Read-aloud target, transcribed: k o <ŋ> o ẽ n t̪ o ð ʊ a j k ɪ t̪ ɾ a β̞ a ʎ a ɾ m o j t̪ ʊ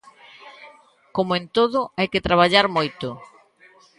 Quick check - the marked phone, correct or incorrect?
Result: incorrect